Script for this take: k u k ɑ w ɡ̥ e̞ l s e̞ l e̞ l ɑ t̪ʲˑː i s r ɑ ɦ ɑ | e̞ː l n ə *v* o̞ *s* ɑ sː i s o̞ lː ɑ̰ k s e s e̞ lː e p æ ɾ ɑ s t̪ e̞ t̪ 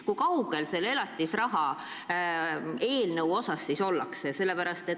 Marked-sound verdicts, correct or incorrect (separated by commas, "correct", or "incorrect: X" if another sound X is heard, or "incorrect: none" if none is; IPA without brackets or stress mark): incorrect: w, correct